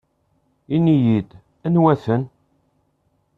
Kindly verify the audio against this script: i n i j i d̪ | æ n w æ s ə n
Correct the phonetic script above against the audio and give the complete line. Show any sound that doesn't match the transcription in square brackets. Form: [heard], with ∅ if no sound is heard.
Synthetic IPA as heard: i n i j i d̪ | æ n w æ [θ] ə n